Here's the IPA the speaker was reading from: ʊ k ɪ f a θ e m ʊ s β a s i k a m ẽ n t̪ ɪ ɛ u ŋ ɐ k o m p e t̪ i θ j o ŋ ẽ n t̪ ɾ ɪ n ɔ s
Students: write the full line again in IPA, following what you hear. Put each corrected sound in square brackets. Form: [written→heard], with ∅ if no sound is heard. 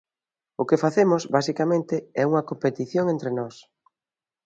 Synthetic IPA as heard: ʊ k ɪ f a θ e m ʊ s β a s i k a m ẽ n t̪ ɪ ɛ u ŋ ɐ k o m p e t̪ i θ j o ŋ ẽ n t̪ ɾ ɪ n ɔ s